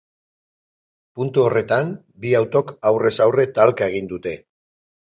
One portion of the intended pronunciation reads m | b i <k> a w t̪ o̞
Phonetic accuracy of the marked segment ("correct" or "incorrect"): incorrect